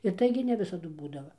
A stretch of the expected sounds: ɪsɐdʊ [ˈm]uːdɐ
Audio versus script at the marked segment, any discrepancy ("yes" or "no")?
yes